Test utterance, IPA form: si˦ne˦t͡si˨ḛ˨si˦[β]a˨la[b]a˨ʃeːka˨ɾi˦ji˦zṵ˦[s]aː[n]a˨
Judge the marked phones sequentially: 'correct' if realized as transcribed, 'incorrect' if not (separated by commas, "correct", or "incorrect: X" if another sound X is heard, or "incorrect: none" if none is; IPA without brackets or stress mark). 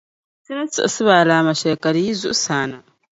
correct, incorrect: m, correct, correct